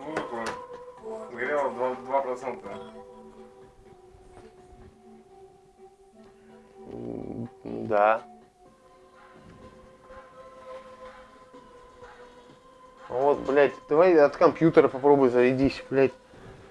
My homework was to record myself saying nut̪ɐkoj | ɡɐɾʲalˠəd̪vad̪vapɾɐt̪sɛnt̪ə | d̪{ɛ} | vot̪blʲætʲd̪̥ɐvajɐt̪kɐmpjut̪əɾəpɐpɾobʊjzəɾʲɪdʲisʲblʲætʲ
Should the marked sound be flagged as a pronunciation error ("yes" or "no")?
yes